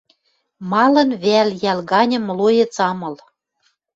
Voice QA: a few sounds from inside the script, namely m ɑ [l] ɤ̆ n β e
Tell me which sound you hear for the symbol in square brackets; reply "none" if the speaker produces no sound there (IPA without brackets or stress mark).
l